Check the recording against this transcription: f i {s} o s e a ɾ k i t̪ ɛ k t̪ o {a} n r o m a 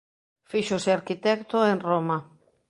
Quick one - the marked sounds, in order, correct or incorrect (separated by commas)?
incorrect, incorrect